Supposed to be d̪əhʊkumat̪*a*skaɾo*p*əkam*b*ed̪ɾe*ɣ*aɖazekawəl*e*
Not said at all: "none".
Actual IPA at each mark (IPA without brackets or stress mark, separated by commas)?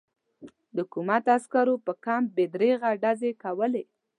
a, p, b, ɣ, e